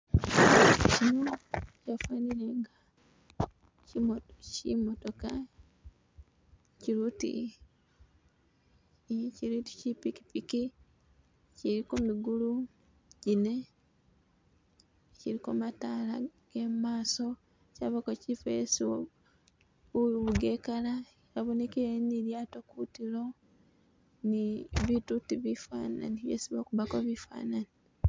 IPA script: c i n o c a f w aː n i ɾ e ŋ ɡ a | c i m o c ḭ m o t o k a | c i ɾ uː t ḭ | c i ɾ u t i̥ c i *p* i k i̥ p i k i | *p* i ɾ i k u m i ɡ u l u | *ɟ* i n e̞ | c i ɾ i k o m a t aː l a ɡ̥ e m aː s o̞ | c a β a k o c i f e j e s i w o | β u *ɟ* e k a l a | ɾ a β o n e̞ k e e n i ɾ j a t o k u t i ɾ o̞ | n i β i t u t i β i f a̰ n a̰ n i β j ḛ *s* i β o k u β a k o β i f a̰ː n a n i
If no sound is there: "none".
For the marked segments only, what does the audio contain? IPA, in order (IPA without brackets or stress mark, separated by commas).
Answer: p, c, ɟ, ɡ, s